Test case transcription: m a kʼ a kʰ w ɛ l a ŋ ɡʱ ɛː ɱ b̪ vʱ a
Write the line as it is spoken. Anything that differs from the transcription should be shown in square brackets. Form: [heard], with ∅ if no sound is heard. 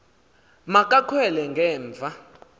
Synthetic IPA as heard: m a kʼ a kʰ w ɛ l [ɛ] ŋ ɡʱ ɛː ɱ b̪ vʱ a